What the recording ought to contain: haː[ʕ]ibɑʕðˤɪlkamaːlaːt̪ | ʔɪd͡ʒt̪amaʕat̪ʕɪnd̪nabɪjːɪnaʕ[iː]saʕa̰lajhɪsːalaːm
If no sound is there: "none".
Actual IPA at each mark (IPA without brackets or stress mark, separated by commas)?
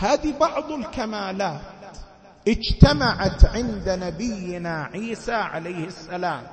ð, iː